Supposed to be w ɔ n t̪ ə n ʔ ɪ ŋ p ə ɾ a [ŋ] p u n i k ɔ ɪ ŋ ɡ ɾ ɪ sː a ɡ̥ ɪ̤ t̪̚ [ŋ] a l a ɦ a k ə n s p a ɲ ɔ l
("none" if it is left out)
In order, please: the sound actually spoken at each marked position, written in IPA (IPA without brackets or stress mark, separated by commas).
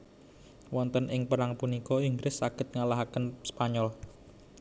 ŋ, ŋ